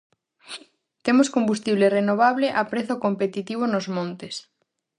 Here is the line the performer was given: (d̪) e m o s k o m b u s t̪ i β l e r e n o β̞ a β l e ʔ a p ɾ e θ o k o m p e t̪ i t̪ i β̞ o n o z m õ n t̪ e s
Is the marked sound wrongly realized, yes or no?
yes